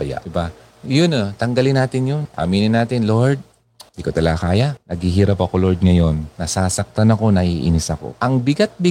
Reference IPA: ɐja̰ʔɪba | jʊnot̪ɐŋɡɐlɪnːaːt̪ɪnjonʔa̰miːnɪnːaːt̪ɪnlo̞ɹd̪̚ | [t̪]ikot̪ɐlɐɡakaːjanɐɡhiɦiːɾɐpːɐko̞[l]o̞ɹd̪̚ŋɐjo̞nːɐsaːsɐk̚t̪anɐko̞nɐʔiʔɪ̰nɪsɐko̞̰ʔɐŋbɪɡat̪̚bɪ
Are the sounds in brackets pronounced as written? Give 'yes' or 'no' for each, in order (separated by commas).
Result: no, yes